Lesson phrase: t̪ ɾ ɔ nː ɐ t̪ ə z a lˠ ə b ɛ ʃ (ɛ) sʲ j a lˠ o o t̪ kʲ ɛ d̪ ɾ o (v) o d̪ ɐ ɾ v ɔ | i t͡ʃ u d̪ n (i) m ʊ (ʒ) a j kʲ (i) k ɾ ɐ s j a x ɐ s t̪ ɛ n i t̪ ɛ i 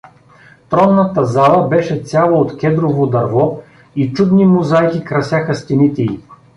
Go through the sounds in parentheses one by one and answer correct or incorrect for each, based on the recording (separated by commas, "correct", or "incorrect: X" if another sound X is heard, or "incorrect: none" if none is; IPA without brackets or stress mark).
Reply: correct, correct, correct, incorrect: z, correct